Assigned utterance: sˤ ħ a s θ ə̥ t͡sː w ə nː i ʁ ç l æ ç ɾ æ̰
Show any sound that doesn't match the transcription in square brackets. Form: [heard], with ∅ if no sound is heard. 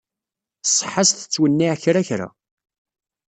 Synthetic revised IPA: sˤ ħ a s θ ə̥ t͡sː w ə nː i [ʕ] ç [ɾ] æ ç ɾ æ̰